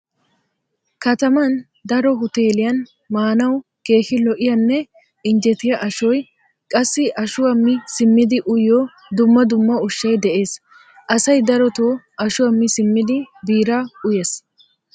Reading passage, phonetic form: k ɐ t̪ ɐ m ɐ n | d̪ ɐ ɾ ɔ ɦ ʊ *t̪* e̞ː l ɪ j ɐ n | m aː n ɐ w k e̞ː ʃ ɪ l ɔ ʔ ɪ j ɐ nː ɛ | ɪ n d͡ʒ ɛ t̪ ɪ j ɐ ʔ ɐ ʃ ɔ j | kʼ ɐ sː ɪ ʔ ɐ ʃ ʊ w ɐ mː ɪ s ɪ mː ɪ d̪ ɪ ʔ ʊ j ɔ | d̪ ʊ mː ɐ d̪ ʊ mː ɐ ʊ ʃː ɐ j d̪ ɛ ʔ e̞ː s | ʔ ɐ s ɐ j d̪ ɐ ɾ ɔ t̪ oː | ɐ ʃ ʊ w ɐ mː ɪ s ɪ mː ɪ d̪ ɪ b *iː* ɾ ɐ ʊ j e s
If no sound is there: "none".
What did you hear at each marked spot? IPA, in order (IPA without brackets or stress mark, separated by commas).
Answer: t̪, iː